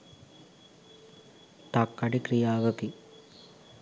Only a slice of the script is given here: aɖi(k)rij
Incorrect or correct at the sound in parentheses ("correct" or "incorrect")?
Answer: correct